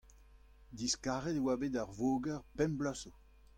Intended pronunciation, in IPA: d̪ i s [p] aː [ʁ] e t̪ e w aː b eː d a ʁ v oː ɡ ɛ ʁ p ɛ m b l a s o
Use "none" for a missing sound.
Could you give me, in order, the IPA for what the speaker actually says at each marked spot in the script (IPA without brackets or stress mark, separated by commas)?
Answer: k, ʁ